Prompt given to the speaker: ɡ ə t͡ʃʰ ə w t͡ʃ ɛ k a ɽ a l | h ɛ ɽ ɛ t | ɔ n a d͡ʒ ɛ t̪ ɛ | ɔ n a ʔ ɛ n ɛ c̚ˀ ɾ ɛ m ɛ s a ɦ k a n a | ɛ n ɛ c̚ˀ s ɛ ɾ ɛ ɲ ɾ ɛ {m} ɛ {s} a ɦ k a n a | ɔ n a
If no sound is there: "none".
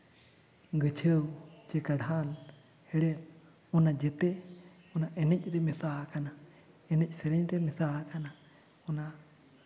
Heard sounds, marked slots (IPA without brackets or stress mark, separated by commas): m, s